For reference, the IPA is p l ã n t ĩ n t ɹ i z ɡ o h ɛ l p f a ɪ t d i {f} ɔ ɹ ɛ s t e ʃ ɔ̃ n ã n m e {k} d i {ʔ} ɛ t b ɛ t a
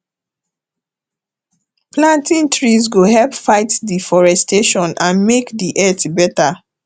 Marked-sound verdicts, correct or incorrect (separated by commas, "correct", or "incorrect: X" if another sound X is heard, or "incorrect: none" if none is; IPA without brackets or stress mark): correct, correct, correct